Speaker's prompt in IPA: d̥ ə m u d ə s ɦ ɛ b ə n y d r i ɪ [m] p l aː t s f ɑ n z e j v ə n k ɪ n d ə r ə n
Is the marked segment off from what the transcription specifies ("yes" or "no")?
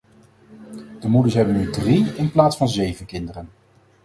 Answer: yes